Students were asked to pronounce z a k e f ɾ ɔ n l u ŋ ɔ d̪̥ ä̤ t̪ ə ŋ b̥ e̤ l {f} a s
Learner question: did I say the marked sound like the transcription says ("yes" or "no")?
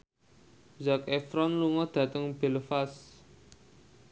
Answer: yes